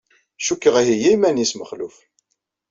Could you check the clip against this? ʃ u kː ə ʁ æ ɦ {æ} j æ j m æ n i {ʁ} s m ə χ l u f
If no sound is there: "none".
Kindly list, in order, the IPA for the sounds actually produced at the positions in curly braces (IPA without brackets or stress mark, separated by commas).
i, none